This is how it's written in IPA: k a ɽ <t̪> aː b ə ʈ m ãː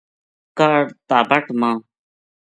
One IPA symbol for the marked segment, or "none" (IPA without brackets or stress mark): t̪